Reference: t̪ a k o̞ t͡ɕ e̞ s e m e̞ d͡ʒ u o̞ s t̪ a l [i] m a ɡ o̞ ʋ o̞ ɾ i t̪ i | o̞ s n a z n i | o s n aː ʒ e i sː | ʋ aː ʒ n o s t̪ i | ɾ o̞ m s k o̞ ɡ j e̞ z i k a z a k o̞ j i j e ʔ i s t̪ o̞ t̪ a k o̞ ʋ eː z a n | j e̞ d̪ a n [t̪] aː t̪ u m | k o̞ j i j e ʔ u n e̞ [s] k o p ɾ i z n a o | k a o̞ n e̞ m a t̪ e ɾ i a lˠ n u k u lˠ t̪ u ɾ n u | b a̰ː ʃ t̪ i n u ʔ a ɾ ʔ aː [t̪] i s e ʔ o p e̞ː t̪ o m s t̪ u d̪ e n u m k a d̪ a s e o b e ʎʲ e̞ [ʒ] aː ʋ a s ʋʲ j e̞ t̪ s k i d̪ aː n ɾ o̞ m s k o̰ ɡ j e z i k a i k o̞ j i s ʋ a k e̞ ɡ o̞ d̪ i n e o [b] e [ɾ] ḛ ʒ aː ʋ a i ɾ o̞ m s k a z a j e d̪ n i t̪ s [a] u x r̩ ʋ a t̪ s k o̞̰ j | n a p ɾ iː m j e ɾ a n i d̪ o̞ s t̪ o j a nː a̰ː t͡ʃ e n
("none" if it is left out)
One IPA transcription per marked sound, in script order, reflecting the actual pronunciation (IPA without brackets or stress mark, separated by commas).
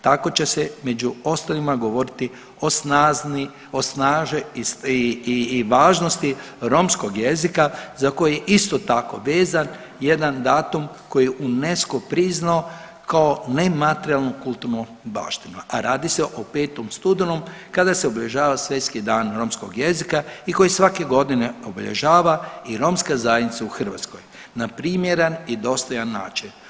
i, d̪, s, d̪, ʒ, b, ʎ, a